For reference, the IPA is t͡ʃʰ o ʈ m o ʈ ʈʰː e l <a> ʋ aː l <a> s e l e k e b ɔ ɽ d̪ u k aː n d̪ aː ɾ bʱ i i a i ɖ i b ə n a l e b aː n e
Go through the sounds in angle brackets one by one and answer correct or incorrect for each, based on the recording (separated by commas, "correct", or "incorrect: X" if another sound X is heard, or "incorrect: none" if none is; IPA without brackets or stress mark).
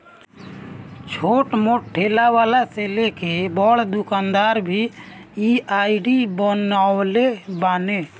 correct, correct